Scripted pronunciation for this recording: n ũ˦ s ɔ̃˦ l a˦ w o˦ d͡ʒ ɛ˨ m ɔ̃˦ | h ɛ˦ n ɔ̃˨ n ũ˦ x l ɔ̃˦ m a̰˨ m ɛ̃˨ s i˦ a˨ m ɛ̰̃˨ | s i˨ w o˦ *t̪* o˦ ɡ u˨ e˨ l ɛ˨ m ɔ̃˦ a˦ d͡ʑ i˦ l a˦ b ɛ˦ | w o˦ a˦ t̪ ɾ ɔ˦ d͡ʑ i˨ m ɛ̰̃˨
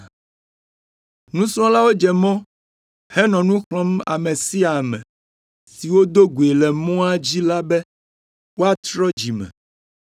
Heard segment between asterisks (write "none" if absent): d̪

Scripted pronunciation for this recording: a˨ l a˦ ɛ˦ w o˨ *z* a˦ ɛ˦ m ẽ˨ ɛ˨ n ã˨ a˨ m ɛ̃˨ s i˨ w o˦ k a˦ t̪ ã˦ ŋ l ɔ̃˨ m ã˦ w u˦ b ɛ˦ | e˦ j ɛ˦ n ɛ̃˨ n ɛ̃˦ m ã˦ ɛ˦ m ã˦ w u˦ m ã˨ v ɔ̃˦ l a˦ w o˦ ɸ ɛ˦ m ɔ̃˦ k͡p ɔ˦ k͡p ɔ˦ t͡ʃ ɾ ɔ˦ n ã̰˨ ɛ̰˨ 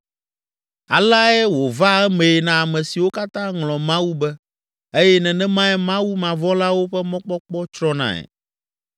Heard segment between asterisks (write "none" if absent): v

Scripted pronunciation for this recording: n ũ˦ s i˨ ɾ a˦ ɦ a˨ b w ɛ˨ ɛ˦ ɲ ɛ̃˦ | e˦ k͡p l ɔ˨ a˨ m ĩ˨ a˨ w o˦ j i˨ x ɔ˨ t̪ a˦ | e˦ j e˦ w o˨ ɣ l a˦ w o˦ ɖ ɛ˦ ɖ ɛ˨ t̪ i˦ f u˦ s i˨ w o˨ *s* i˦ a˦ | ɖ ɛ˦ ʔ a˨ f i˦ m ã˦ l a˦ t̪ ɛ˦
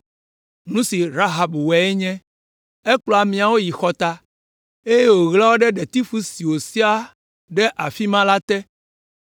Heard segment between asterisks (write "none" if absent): s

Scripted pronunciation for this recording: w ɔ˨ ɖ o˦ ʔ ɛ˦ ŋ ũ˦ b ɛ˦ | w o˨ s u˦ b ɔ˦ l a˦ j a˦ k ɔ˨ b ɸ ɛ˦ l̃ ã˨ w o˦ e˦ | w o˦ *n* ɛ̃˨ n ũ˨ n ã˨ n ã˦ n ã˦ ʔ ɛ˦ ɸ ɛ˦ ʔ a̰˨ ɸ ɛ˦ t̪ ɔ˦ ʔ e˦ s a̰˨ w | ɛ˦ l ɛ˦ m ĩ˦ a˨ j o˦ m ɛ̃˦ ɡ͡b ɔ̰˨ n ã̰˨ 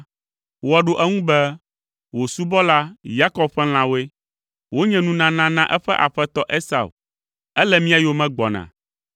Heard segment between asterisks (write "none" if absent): ɲ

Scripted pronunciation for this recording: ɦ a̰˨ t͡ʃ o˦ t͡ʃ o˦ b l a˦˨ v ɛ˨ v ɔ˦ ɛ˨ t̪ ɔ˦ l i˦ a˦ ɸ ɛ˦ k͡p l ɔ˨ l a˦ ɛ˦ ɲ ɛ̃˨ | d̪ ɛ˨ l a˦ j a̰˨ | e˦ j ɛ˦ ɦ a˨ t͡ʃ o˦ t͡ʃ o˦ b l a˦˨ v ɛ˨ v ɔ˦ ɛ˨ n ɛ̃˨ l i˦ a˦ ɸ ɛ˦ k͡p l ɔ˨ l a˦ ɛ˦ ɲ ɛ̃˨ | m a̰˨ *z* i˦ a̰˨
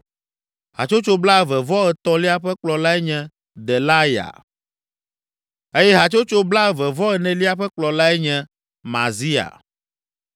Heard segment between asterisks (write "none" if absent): z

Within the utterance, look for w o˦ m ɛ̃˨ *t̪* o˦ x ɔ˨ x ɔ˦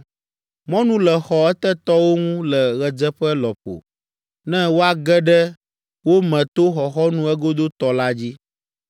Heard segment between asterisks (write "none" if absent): t̪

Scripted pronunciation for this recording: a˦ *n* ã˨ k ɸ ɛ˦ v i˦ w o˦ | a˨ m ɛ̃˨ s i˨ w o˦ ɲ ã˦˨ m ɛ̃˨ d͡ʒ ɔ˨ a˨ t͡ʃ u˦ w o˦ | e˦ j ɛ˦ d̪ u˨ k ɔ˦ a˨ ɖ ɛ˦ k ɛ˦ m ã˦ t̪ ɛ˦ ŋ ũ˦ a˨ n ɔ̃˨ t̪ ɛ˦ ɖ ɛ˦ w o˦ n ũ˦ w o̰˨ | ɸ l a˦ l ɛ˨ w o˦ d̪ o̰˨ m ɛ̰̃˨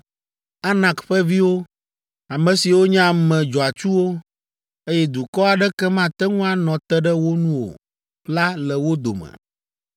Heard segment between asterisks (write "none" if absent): n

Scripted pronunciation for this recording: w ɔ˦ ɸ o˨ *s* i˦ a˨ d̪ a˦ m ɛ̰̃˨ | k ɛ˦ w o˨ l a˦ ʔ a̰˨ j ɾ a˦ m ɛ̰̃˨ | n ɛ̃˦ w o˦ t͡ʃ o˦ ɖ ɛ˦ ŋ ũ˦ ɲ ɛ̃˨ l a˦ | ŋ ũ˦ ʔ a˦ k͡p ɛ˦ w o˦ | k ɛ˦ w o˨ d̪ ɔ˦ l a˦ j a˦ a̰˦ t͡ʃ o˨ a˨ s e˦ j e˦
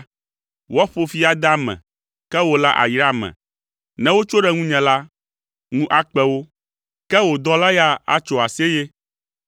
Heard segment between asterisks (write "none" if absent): f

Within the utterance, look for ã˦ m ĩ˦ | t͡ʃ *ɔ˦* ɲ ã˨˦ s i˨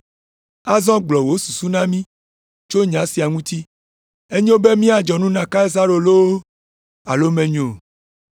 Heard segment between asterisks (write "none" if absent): o˦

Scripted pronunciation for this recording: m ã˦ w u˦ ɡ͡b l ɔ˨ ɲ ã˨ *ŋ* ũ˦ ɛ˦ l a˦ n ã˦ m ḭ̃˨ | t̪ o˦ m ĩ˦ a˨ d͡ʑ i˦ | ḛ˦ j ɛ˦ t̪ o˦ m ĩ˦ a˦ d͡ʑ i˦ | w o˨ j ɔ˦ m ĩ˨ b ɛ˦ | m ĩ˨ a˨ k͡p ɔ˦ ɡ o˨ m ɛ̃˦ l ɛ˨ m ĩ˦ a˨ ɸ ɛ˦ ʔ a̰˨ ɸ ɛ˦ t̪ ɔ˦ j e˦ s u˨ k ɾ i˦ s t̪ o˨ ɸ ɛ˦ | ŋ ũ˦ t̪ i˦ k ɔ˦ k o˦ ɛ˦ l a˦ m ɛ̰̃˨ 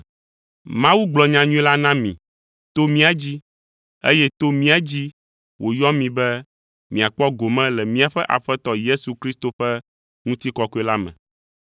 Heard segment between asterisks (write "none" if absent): ɲ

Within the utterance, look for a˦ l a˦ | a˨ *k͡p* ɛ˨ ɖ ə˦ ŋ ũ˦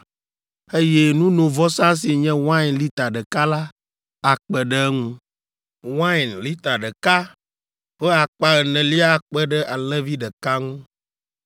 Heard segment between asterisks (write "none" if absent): k͡p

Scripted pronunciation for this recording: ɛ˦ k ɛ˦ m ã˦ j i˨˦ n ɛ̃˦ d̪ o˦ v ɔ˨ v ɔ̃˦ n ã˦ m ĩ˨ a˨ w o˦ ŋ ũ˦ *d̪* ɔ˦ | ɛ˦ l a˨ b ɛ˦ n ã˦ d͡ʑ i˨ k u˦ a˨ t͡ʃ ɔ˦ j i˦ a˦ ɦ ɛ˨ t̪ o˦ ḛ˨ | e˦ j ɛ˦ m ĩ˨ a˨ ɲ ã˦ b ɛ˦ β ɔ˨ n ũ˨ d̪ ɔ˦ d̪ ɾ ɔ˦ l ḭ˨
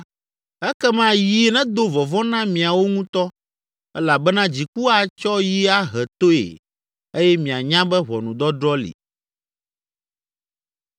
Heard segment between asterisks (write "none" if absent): t̪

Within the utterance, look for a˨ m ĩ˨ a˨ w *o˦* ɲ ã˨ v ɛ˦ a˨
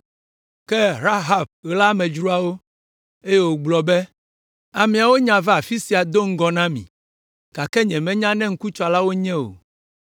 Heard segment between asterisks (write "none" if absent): o˦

